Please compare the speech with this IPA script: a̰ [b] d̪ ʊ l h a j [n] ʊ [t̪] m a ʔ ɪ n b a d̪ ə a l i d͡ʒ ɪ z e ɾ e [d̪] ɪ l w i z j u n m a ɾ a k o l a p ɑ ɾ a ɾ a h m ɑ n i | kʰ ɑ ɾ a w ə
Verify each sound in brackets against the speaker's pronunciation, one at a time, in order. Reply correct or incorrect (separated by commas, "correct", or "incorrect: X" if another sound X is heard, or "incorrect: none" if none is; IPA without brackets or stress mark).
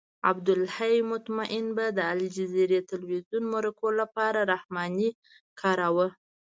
correct, incorrect: m, correct, incorrect: t̪